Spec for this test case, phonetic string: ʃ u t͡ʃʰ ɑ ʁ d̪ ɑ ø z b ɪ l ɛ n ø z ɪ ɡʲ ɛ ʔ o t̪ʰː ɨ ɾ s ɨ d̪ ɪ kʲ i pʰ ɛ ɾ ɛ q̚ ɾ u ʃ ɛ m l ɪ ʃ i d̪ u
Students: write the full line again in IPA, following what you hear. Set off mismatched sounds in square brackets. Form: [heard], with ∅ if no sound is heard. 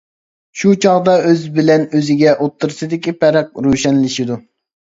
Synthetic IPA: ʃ u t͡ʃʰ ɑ ʁ d̪ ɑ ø z b ɪ l ɛ n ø z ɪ ɡʲ ɛ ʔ o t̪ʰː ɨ ɾ s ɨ d̪ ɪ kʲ i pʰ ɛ ɾ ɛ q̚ ɾ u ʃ ɛ [n] l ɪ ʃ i d̪ u